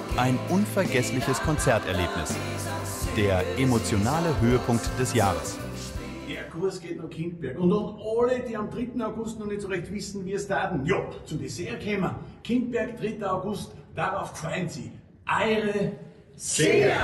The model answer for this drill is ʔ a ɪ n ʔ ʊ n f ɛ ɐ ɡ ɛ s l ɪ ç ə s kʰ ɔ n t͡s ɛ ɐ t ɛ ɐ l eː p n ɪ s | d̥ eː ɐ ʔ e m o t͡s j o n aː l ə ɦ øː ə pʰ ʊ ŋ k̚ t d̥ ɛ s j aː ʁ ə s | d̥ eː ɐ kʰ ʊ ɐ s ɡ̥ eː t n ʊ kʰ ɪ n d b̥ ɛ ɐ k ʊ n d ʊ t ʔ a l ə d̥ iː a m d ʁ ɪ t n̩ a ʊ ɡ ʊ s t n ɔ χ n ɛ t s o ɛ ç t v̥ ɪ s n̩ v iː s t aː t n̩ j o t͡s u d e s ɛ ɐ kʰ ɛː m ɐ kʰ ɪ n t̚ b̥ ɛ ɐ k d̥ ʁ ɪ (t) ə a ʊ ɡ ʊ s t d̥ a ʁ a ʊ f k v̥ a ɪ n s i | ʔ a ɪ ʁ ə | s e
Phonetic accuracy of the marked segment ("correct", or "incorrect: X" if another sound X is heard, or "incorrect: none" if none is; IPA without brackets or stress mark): correct